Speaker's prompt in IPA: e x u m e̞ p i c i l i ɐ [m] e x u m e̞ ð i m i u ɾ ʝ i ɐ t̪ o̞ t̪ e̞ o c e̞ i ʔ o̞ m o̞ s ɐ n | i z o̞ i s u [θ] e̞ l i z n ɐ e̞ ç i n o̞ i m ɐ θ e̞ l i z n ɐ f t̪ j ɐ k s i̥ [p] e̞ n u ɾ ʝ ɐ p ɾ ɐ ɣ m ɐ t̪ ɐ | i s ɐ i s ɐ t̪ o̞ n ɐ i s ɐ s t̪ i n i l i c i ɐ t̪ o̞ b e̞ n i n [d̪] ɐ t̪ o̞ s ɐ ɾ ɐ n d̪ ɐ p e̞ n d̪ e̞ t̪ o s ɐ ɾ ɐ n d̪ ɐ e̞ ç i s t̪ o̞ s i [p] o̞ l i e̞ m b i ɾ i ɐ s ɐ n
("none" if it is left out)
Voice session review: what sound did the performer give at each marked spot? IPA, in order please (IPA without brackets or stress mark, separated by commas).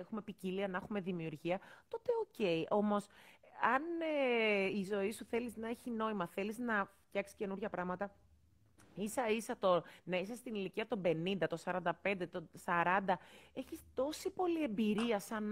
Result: n, θ, c, d̪, p